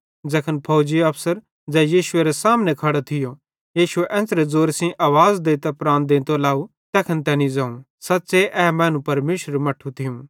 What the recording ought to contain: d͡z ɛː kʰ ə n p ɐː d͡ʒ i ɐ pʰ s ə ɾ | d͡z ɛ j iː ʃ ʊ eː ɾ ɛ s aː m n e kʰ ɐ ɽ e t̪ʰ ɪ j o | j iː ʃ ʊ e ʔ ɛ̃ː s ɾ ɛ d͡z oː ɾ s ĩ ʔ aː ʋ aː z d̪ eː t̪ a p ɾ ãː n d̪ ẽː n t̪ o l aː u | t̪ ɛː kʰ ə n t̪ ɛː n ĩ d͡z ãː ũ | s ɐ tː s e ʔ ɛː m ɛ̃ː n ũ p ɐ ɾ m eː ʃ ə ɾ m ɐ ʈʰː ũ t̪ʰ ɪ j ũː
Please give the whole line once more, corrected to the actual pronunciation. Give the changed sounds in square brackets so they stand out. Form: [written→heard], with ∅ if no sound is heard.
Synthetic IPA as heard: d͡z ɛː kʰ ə n [p→pʰ] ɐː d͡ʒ i ɐ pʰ s ə ɾ | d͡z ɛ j iː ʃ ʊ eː ɾ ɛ s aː m n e kʰ ɐ ɽ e t̪ʰ ɪ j o | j iː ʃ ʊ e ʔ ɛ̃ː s ɾ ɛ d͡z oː ɾ s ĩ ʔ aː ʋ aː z d̪ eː t̪ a p ɾ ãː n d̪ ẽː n t̪ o l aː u | t̪ ɛː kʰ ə n t̪ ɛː n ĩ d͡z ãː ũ | s ɐ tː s e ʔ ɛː m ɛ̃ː n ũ p ɐ ɾ m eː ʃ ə ɾ m ɐ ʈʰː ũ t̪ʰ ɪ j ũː